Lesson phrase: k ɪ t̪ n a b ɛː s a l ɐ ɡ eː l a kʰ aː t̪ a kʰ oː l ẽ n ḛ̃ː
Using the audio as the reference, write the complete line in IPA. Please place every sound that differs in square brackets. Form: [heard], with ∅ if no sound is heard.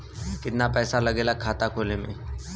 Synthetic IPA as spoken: k ɪ t̪ n a [p] ɛː s a l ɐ ɡ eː l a kʰ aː t̪ a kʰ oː l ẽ [m] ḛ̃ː